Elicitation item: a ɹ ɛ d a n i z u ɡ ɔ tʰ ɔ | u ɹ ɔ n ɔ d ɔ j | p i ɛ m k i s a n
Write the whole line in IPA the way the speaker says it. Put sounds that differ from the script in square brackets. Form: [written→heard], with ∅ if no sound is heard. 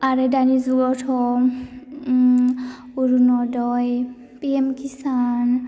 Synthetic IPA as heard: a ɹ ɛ d a n i z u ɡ ɔ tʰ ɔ | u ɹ [ɔ→u] n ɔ d ɔ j | p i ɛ m k i s a n